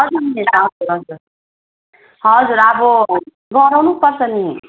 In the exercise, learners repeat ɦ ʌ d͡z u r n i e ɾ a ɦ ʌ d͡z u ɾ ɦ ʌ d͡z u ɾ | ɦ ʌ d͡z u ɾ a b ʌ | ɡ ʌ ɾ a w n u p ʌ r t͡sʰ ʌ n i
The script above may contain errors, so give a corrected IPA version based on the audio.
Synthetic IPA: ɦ ʌ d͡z u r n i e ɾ a ɦ ʌ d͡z u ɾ ɦ ʌ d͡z u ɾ | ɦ ʌ d͡z u ɾ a b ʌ | ɡ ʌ ɾ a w n u p ʌ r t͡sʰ ʌ n i